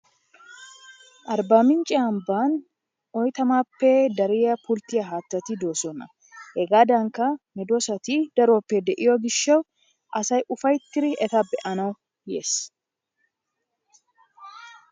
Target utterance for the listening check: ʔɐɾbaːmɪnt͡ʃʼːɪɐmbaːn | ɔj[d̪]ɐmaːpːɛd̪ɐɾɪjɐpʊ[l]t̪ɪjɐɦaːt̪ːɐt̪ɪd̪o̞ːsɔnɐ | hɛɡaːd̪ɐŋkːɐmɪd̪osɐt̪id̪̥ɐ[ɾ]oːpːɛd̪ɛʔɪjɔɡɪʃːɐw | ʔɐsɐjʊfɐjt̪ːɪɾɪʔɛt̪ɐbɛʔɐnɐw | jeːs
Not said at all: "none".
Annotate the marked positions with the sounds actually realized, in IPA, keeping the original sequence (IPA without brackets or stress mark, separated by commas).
t̪, l, ɾ